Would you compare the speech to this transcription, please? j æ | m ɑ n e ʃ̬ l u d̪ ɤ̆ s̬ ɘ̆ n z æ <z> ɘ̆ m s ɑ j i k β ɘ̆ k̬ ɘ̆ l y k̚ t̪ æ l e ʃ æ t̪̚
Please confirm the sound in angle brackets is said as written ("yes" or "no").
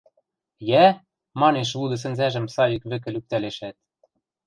no